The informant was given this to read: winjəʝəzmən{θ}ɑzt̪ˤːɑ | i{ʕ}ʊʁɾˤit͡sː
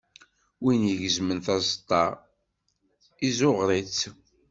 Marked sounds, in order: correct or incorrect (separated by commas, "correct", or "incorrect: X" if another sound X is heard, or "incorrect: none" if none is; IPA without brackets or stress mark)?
correct, incorrect: z